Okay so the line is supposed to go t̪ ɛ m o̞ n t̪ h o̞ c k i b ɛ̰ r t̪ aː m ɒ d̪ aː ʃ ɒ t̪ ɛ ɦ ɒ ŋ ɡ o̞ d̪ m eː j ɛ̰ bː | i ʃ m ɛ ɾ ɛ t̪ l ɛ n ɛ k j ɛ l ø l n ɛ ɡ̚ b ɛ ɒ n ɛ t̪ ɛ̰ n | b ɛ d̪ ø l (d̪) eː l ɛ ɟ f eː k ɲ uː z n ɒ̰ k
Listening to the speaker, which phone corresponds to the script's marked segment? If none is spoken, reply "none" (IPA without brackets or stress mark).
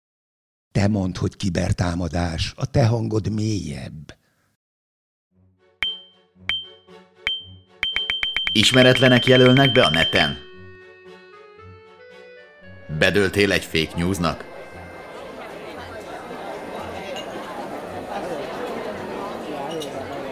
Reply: t̪